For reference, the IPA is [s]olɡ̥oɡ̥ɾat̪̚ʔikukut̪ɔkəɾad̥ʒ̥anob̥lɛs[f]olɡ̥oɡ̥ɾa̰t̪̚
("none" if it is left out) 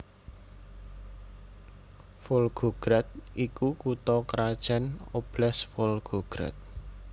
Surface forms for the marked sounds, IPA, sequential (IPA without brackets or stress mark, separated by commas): f, f